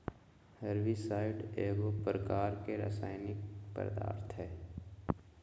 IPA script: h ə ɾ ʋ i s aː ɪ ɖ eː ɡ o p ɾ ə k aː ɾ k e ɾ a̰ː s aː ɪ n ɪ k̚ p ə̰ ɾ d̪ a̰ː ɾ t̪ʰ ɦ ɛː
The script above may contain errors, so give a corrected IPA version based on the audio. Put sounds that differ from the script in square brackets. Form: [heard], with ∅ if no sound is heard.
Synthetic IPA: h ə ɾ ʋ i s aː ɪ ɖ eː ɡ o p ɾ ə k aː ɾ k e ɾ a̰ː s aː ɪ n ɪ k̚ p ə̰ ɾ d̪ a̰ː ɾ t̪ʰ ɦ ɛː